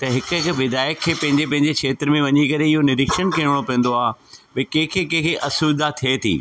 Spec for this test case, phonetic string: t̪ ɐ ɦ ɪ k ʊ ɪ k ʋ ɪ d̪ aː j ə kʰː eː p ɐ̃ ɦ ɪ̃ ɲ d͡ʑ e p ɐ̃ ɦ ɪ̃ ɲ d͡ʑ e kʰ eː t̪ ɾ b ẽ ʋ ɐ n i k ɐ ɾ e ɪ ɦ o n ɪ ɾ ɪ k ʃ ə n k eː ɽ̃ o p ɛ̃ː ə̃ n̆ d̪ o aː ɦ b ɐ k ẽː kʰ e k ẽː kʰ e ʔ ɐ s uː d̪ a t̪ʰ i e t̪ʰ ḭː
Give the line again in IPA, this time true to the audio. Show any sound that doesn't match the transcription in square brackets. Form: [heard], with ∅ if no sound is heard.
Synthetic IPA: t̪ ɐ ɦ ɪ k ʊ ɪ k ʋ ɪ d̪ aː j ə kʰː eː p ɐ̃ ɦ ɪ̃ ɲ d͡ʑ e p ɐ̃ ɦ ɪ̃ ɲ d͡ʑ e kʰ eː t̪ ɾ [m] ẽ ʋ ɐ [ɲ] i k ɐ ɾ e ɪ ɦ o n ɪ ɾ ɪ k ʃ ə n k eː ɽ̃ o p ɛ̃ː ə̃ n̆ d̪ o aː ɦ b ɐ k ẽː kʰ e k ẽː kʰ e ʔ ɐ s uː d̪ a t̪ʰ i e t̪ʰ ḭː